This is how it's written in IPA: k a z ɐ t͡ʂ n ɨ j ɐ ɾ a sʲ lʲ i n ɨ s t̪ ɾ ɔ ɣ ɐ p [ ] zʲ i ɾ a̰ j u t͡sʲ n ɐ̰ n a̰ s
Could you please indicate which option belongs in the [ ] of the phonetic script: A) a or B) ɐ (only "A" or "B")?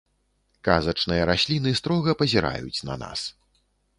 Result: B